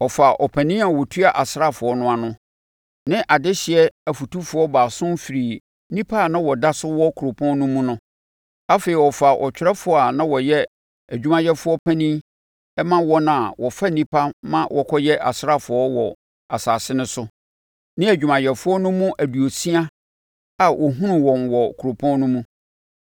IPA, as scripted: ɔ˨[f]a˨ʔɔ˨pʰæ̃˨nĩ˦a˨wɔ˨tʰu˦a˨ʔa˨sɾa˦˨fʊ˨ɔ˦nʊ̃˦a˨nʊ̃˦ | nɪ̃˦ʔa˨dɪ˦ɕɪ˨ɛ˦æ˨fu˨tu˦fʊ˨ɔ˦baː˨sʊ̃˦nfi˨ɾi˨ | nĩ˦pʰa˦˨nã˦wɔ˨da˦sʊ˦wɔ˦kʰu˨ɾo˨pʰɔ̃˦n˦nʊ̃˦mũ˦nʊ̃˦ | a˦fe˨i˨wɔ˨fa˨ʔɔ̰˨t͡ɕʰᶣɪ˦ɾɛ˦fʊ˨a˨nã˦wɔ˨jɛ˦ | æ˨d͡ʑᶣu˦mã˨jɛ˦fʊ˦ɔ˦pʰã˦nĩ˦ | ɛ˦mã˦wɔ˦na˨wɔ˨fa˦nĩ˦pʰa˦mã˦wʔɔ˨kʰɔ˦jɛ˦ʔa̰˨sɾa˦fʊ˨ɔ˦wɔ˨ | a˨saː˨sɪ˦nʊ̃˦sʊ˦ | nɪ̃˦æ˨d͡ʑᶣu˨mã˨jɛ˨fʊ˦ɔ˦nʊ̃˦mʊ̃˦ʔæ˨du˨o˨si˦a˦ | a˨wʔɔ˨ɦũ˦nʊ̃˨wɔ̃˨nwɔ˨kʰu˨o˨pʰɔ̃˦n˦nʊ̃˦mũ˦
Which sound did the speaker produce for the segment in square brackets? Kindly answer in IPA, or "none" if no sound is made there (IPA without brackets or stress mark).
f